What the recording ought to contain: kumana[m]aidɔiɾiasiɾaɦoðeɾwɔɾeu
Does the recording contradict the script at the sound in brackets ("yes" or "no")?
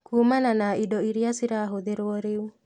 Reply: yes